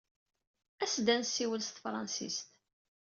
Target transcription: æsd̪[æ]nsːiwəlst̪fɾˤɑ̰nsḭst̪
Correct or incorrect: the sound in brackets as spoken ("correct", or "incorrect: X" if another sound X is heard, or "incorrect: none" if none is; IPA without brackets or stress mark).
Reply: correct